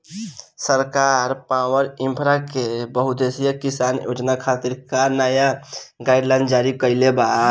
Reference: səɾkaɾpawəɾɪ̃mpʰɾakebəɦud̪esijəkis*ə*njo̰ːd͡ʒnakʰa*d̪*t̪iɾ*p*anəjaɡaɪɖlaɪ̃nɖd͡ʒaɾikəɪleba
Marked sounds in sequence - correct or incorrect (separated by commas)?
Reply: incorrect, incorrect, incorrect